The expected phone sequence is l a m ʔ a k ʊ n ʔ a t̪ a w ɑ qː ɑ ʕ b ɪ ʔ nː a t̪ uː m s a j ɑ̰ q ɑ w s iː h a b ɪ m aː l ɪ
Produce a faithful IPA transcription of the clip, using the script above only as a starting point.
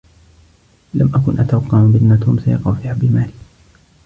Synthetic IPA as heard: l a m ʔ a k ʊ n ʔ a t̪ a w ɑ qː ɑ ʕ b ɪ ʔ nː a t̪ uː m s a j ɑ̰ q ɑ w f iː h a b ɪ m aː l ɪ